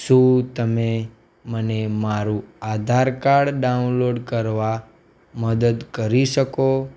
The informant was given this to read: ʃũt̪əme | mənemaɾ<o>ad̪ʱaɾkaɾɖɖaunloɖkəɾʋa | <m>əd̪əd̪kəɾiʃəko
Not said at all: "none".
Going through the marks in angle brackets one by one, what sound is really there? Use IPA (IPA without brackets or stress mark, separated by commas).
u, m